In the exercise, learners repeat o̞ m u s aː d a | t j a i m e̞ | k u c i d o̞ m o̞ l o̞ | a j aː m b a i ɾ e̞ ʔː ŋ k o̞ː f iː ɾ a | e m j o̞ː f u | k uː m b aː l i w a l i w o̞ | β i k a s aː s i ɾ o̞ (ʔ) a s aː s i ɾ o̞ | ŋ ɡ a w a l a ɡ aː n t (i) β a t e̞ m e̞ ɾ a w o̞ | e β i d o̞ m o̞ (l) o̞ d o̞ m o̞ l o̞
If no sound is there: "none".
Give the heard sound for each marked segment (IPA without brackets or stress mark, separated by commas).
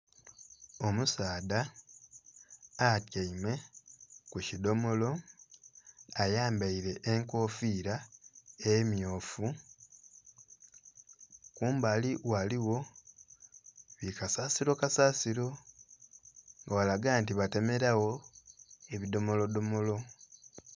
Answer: k, i, l